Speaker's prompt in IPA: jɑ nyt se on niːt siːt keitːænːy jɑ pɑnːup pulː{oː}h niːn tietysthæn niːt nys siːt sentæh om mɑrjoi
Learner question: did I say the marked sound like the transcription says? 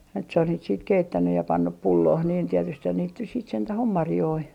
yes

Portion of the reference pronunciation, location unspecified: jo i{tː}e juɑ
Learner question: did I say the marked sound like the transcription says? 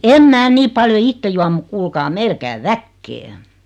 yes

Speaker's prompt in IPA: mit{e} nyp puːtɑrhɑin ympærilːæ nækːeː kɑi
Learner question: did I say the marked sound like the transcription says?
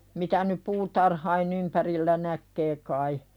no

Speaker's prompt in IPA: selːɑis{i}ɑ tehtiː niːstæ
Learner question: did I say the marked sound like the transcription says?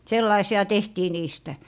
yes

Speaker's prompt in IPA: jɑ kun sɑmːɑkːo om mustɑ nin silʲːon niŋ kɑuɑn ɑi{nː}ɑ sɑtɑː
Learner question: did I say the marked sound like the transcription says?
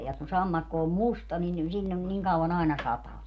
no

